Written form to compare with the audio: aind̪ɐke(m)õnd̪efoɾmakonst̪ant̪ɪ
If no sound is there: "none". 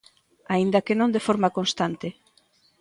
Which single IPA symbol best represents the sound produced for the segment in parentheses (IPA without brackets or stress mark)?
n